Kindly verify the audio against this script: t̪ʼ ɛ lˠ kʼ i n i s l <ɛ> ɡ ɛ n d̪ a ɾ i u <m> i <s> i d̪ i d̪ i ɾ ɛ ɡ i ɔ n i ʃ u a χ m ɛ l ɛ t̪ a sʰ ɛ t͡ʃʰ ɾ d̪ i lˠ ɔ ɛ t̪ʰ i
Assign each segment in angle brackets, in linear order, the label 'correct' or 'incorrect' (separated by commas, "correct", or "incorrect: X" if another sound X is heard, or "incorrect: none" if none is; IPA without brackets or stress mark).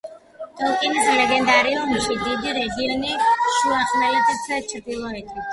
correct, correct, incorrect: ʃ